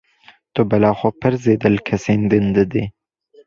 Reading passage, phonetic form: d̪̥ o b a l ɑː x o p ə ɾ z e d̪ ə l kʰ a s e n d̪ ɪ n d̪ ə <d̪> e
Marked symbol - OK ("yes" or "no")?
yes